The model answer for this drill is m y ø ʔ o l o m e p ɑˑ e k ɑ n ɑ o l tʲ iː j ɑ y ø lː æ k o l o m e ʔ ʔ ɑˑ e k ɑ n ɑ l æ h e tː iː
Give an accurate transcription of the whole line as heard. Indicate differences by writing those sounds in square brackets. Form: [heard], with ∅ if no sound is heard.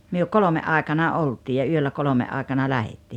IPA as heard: m y ø [k] o l o m e [ʔ] ɑˑ e k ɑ n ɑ o l tʲ iː j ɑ y ø lː æ k o l o m e ʔ ʔ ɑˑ e k ɑ n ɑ l æ h e tː iː